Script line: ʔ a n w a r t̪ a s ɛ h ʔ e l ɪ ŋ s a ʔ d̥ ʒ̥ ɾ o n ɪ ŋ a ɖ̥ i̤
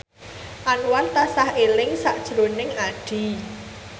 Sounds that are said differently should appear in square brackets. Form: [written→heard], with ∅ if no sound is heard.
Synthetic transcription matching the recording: ʔ a n w a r t̪ a s [ɛ→a] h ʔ e l ɪ ŋ s a ʔ d̥ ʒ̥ ɾ o n ɪ ŋ a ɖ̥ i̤

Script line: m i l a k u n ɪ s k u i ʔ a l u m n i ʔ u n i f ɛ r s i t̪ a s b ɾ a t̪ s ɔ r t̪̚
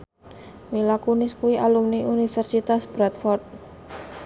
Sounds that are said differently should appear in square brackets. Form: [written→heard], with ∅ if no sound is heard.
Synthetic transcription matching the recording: m i l a k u n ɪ s k u i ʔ a l u m n i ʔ u n i f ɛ r s i t̪ a s b ɾ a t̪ [s→f] ɔ r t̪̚

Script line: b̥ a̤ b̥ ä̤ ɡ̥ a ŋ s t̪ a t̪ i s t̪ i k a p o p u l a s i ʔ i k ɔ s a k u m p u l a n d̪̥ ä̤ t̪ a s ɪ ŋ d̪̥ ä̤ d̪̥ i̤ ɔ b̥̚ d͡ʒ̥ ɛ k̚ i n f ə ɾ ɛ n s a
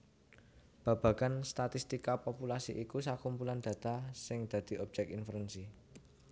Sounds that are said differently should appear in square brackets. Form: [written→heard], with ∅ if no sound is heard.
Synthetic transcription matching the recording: b̥ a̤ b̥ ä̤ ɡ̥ a [ŋ→n] s t̪ a t̪ i s t̪ i k a p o p u l a s i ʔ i k [ɔ→u] s a k u m p u l a n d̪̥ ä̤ t̪ a s ɪ ŋ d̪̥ ä̤ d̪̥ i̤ ɔ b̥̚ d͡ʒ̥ ɛ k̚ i n f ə ɾ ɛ n s [a→i]

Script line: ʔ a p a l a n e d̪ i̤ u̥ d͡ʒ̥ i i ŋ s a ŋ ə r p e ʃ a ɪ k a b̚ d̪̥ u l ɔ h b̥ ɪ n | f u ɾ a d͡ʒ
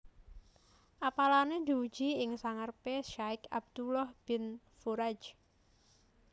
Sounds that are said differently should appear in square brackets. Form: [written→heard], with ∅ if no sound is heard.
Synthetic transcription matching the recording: ʔ a p a l a n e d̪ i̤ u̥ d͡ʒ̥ i [i→ɪ] ŋ s a ŋ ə r p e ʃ a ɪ k a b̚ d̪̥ u l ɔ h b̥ ɪ n | f u ɾ a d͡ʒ

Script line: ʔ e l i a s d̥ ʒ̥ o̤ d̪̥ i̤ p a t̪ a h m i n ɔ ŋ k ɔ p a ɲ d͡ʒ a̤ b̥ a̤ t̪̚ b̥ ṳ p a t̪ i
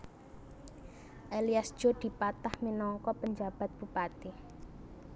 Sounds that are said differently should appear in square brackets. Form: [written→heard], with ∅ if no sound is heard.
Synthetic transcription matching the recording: ʔ e l i a s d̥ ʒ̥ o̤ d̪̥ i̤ p a t̪ a h m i n ɔ ŋ k ɔ p [a→ə] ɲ d͡ʒ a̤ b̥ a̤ t̪̚ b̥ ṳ p a t̪ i

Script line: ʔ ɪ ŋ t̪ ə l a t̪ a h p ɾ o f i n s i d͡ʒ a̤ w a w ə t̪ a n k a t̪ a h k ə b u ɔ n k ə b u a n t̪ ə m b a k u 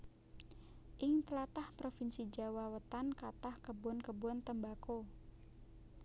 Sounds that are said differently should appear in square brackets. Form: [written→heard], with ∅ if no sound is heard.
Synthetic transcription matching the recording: ʔ ɪ ŋ t̪ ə l a t̪ a h p ɾ o f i n s i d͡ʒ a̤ w a w ə t̪ a n k a t̪ a h k ə b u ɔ n k ə b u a n t̪ ə m b a k [u→o]

